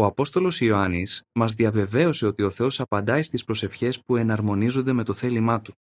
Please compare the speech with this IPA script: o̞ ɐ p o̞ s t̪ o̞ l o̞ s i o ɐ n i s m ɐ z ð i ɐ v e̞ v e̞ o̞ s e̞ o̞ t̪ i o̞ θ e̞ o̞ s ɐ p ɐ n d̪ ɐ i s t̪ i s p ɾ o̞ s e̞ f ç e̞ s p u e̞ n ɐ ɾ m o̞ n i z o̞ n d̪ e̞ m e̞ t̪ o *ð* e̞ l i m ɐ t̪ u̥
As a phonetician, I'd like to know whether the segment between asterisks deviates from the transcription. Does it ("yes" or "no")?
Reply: yes